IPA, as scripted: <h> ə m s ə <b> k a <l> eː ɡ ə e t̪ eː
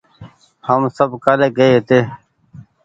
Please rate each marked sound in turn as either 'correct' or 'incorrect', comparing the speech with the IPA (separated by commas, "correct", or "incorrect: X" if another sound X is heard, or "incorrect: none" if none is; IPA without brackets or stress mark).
correct, correct, correct